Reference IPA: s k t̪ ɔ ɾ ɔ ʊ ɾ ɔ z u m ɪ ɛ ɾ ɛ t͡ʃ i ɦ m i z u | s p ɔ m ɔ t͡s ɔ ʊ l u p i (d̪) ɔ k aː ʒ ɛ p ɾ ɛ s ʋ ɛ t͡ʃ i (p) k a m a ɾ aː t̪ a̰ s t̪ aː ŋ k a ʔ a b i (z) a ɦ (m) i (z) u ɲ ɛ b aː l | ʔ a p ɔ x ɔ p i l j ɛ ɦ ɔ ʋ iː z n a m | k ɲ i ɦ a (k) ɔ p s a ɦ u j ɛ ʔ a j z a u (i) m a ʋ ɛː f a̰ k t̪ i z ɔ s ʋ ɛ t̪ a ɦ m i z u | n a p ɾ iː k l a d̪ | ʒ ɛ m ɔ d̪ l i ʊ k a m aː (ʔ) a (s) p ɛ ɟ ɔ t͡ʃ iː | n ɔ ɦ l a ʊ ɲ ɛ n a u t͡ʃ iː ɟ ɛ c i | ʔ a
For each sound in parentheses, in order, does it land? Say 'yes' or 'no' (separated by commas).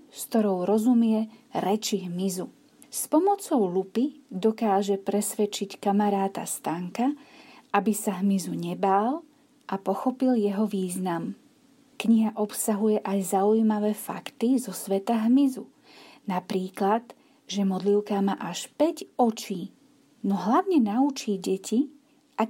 yes, no, no, yes, yes, no, no, yes, no